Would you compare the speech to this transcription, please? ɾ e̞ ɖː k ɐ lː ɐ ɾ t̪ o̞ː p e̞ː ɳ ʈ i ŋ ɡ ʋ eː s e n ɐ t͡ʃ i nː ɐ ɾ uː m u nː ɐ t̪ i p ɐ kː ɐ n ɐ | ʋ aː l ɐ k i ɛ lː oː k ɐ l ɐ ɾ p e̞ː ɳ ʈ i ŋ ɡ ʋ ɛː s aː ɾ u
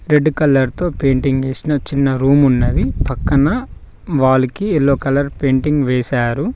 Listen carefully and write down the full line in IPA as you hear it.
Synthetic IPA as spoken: ɾ e̞ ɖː k ɐ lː ɐ ɾ t̪ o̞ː p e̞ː ɳ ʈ i ŋ ɡ ʋ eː s i n ɐ t͡ʃ i nː ɐ ɾ uː m u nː ɐ d̪ i p ɐ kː ɐ n ɐ | ʋ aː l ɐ k i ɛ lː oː k ɐ l ɐ ɾ p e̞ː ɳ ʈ i ŋ ɡ ʋ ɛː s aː ɾ u